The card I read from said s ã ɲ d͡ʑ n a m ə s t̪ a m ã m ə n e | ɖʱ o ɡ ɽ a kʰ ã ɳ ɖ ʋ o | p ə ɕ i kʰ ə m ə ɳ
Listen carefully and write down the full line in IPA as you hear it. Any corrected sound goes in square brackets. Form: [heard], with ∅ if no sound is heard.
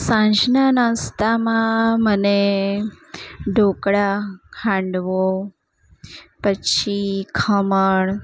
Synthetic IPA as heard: s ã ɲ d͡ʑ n a [n] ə s t̪ a m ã m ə n e | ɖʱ o [k] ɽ a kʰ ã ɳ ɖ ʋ o | p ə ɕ i kʰ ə m ə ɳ

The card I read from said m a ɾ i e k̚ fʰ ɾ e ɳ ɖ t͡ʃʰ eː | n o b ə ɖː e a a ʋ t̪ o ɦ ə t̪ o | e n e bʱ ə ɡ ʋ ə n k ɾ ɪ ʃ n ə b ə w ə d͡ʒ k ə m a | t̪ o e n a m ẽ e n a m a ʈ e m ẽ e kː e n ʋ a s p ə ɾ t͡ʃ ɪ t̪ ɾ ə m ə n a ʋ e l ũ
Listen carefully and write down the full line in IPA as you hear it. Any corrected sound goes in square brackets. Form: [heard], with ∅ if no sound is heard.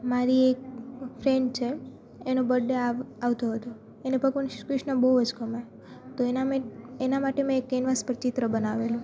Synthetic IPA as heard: m a ɾ i e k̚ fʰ ɾ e ɳ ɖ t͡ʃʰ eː | n o b ə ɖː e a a ʋ t̪ o ɦ ə t̪ o | e n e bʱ ə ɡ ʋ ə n k ɾ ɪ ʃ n ə b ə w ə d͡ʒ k ə m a | t̪ o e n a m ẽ e n a m a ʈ e m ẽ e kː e n ʋ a s p ə ɾ t͡ʃ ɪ t̪ ɾ ə [b] ə n a ʋ e l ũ

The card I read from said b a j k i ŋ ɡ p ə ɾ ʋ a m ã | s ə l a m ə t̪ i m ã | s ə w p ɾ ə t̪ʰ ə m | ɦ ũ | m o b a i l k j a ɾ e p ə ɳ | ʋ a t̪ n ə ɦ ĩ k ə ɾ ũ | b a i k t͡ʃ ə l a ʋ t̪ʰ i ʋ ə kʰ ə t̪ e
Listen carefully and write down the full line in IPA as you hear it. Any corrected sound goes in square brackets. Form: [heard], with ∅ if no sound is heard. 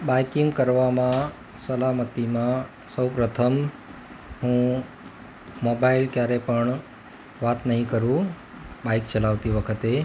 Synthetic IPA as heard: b a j k i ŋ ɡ [k] ə ɾ ʋ a m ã | s ə l a m ə t̪ i m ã | s ə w p ɾ ə t̪ʰ ə m | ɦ ũ | m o b a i l k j a ɾ e p ə ɳ | ʋ a t̪ n ə ɦ ĩ k ə ɾ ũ | b a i k t͡ʃ ə l a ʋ [t̪] i ʋ ə kʰ ə t̪ e

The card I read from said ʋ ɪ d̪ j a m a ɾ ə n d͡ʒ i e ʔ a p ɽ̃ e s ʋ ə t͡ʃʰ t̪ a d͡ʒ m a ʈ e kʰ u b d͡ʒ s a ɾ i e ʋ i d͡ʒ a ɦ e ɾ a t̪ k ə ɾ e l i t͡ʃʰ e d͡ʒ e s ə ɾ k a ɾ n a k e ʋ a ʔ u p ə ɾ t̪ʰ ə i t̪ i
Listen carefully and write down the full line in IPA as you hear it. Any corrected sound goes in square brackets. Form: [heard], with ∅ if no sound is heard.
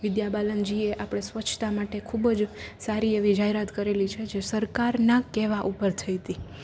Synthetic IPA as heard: ʋ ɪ d̪ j a [b] a [l] ə n d͡ʒ i e ʔ a p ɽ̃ e s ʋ ə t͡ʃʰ t̪ a [∅] m a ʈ e kʰ u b d͡ʒ s a ɾ i e ʋ i d͡ʒ a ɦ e ɾ a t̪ k ə ɾ e l i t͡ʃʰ e d͡ʒ e s ə ɾ k a ɾ n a k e ʋ a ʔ u p ə ɾ t̪ʰ ə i t̪ i

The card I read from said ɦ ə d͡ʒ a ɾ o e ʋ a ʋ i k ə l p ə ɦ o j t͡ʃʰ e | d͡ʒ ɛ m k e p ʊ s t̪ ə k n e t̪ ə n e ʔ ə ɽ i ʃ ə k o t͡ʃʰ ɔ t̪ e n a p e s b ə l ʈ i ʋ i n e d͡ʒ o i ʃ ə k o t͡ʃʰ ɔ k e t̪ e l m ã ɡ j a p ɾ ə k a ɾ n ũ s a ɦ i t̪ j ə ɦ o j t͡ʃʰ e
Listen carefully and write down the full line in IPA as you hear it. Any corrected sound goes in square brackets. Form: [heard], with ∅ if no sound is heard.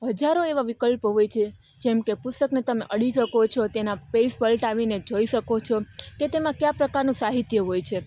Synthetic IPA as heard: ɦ ə d͡ʒ a ɾ o e ʋ a ʋ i k ə l p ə ɦ o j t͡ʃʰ e | d͡ʒ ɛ m k e p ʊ s t̪ ə k n e t̪ ə [m] e ʔ ə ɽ i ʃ ə k o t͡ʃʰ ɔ t̪ e n a p e s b ə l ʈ [a] ʋ i n e d͡ʒ o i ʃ ə k o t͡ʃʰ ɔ k e t̪ e [∅] m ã [k] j a p ɾ ə k a ɾ n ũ s a ɦ i t̪ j ə ɦ o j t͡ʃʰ e

